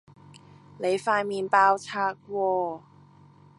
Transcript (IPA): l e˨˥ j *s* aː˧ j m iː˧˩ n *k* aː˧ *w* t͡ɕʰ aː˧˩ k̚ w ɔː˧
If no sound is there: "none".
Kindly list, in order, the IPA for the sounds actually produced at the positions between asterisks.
f, p, w

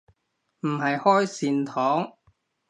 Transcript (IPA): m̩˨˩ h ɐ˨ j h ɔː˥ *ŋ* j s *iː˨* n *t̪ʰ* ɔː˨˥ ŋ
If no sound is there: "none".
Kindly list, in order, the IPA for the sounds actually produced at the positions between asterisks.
none, iː˨, t̪ʰ

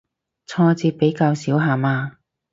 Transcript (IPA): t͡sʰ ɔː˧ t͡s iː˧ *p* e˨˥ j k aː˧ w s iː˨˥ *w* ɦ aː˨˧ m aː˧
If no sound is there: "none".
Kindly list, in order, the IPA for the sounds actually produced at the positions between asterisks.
p, w

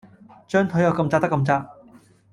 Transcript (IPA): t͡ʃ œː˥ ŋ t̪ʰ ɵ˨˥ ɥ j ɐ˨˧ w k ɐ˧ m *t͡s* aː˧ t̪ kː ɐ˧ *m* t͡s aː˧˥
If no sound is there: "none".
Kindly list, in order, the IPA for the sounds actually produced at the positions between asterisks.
t͡s, m

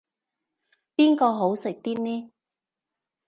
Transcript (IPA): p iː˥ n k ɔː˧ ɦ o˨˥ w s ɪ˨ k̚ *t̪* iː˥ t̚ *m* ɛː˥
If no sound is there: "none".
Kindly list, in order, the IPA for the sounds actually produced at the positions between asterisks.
t̪, n

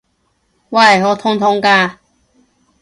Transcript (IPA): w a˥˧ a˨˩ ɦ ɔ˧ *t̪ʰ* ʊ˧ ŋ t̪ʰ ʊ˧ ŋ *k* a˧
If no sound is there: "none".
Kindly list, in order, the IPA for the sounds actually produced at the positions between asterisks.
t̪ʰ, k

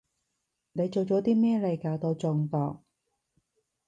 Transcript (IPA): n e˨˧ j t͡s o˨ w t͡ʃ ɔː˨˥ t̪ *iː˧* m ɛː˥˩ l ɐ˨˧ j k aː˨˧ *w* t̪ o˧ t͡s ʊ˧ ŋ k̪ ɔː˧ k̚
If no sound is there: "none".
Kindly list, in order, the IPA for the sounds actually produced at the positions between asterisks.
iː˥, w

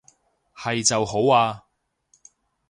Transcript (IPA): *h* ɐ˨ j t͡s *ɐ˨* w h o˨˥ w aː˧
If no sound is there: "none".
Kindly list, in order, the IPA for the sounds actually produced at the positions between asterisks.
h, ɐ˨

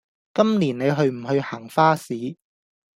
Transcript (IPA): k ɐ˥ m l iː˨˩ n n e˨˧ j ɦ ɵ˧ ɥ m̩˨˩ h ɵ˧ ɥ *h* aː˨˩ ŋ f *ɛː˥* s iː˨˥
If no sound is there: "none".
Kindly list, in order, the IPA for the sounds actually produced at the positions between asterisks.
h, aː˥

